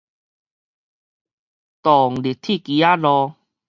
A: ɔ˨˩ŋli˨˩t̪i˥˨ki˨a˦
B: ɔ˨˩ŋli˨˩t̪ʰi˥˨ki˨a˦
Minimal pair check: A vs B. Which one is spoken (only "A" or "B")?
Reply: B